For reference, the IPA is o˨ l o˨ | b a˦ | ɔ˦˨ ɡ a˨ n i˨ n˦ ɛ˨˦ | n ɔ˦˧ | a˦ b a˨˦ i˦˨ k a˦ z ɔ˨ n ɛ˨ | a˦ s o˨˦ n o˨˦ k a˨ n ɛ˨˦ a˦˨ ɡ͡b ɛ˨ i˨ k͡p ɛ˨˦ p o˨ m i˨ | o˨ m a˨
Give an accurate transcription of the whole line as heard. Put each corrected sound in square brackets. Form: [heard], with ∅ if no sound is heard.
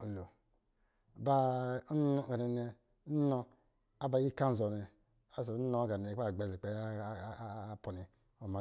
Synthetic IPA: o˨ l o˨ | b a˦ | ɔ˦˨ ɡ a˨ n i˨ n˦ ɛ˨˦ | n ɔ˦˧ | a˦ b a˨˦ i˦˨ k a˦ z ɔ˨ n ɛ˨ | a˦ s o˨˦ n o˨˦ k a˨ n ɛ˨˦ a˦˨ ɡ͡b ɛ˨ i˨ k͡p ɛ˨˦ p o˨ [n] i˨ | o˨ m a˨

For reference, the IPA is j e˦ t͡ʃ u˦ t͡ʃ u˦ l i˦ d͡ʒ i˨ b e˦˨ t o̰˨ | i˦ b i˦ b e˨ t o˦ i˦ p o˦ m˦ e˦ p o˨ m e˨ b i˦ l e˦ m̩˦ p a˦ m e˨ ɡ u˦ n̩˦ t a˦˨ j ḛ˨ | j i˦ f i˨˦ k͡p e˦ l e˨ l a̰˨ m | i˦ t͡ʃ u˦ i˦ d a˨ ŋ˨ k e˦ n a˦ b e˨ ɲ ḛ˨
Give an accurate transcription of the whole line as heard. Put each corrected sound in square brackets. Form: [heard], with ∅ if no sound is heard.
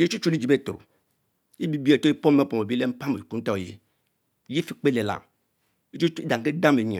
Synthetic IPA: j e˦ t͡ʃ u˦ t͡ʃ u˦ l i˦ d͡ʒ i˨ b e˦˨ t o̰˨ | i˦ b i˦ b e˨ t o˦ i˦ p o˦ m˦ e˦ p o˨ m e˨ b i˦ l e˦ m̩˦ p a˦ m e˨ [k] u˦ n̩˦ t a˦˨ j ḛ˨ | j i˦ f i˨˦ k͡p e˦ l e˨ l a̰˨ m | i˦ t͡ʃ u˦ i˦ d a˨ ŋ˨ k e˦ [d] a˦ [m] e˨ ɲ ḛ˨

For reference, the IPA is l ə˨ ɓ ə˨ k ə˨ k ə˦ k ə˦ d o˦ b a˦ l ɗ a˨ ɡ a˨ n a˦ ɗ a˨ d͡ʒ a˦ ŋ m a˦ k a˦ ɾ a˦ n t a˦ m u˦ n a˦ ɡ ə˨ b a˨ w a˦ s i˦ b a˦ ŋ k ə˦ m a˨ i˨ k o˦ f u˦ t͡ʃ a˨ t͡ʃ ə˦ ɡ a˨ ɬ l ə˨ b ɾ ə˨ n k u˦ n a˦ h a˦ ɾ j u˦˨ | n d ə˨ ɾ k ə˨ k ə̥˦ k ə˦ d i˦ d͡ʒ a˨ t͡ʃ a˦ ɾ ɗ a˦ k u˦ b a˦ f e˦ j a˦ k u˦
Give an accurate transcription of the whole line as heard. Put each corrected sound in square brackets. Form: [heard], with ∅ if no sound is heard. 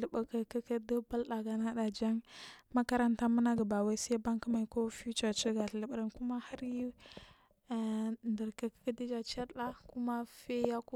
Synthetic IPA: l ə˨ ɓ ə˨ k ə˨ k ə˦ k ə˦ d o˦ b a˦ l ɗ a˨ ɡ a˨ n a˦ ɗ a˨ d͡ʒ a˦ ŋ m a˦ k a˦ ɾ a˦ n t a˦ m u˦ n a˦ ɡ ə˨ b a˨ w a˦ s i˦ b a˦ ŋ k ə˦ m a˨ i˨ k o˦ f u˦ t͡ʃ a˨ t͡ʃ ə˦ ɡ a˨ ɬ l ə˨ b ɾ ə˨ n k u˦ [m] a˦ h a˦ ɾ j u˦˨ | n d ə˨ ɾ k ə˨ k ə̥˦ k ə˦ d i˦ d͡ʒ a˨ t͡ʃ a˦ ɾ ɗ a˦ k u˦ [m] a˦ f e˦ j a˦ k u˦

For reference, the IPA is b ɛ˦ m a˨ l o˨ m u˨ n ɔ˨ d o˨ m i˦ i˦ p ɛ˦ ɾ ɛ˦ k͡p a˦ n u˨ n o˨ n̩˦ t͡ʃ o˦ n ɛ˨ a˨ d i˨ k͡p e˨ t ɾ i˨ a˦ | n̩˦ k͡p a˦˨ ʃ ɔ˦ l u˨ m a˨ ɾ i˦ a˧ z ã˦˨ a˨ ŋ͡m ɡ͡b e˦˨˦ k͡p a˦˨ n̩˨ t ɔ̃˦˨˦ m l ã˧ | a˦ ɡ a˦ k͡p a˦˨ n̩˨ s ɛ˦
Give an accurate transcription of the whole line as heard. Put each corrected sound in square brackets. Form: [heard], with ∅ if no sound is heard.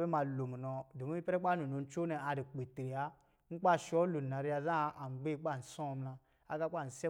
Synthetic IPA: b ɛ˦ m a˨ l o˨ m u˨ n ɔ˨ d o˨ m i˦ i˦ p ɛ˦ ɾ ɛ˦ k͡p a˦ n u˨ n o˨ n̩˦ t͡ʃ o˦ n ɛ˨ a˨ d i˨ k͡p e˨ t ɾ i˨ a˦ | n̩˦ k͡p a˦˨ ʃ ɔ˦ l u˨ [n] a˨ ɾ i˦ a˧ z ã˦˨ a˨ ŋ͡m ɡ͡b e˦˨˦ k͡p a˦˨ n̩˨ [s] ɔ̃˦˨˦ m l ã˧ | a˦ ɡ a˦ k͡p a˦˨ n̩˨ s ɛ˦

